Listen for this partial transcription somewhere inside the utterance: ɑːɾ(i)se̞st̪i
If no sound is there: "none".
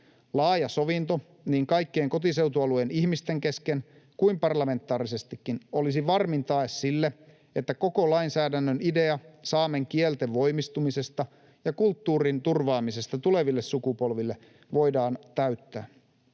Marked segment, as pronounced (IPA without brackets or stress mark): i